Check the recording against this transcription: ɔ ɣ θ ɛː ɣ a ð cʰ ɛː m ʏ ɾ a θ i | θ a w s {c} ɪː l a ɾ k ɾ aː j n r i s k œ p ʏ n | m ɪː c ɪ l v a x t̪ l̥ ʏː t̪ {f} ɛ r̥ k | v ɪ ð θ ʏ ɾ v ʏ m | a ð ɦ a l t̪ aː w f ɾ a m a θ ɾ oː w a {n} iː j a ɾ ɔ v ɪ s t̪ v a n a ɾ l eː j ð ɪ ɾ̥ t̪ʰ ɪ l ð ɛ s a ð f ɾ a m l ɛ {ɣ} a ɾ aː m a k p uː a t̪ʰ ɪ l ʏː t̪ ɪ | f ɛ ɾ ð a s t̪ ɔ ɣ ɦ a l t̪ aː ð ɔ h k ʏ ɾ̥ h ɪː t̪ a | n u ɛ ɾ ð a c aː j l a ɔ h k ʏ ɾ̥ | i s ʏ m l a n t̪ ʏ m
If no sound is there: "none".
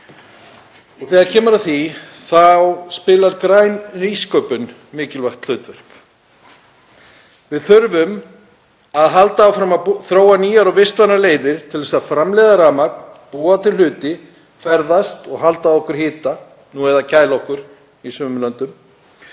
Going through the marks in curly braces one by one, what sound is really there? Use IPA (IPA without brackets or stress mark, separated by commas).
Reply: p, v, n, ð